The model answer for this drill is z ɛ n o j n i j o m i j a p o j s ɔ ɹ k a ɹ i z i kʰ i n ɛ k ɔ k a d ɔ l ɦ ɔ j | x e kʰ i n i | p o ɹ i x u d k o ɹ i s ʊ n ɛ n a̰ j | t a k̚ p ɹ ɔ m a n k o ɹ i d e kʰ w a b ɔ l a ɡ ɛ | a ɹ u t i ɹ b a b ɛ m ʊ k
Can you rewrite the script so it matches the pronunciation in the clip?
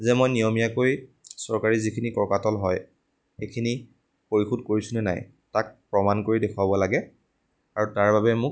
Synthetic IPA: z ɛ m o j n i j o m i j a k o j s ɔ ɹ k a ɹ i z i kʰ i n i k ɔ k a t ɔ l ɦ ɔ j | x e kʰ i n i | p o ɹ i x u d k o ɹ i s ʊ n ɛ n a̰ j | t a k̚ p ɹ ɔ m a n k o ɹ i d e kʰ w a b ɔ l a ɡ ɛ | a ɹ u t a ɹ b a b ɛ m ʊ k